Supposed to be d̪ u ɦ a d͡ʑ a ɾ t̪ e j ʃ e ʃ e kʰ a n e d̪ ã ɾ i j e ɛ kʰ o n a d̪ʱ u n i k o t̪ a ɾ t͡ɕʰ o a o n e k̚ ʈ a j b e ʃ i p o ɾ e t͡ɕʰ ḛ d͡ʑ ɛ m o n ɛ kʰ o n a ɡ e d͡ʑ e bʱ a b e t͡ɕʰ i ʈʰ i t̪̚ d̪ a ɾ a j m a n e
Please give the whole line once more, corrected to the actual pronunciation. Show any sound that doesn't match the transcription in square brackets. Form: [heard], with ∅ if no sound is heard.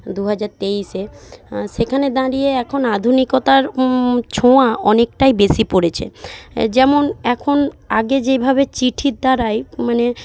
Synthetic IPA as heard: d̪ u ɦ a d͡ʑ a ɾ t̪ e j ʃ e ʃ e kʰ a n e d̪ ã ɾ i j e ɛ kʰ o n a d̪ʱ u n i k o t̪ a ɾ t͡ɕʰ o a [ɔ] n e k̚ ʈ a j b e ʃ i p o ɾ e t͡ɕʰ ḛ d͡ʑ ɛ m o n ɛ kʰ o n a ɡ e d͡ʑ e bʱ a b e [t͡ɕ] i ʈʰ i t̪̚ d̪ a ɾ a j m a n e